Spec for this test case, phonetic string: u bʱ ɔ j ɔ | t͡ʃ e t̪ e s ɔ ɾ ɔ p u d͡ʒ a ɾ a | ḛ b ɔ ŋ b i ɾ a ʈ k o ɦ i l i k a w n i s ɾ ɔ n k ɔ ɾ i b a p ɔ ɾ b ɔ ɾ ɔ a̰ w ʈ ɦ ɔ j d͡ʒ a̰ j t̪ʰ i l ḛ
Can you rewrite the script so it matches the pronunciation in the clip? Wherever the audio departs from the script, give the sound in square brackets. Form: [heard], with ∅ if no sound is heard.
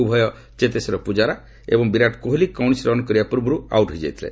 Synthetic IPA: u bʱ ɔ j ɔ | t͡ʃ e t̪ e s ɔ ɾ ɔ p u d͡ʒ a ɾ a | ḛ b ɔ ŋ b i ɾ a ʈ k o ɦ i l i k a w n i s ɾ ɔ n k ɔ ɾ i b a p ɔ ɾ b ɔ ɾ [u] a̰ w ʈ ɦ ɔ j d͡ʒ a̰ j t̪ʰ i l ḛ